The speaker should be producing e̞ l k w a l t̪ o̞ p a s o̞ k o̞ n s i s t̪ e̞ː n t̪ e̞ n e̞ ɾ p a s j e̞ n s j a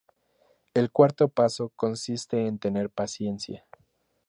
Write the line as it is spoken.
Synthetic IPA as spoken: e̞ l k w a ɾ t̪ o̞ p a s o̞ k o̞ n s i s t̪ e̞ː n t̪ e̞ n e̞ ɾ p a s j e̞ n s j a